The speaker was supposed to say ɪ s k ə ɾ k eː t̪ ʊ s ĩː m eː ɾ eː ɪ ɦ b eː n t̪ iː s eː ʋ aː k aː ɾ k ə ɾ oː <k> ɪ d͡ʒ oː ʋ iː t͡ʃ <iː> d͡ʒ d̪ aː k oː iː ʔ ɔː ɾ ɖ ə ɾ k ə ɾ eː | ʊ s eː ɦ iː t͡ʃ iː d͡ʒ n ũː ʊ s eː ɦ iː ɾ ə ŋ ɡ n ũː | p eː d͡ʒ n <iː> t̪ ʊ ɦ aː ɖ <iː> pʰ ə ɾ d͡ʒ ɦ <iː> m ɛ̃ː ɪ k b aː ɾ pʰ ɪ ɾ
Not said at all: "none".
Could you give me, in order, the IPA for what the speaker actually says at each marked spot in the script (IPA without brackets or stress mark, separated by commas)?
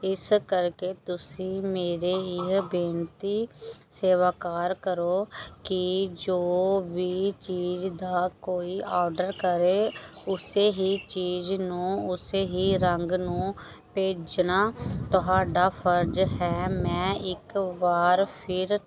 k, iː, aː, aː, ɛː